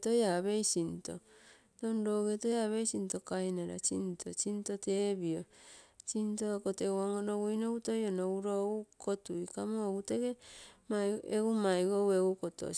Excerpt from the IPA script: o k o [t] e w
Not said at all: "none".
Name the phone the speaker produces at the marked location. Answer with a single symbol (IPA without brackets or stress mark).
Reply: t